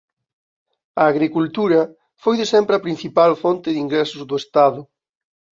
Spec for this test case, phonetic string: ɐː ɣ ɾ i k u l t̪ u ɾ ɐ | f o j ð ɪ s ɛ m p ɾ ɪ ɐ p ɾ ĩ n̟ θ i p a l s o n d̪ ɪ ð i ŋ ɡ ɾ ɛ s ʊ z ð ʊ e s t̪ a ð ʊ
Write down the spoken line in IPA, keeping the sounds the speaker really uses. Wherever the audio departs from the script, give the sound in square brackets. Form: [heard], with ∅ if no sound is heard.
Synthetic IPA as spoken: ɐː ɣ ɾ i k u l t̪ u ɾ ɐ | f o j ð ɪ s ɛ m p ɾ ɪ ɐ p ɾ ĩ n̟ θ i p a l [f] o n [t̪] ɪ ð i ŋ ɡ ɾ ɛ s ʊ z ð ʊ e s t̪ a ð ʊ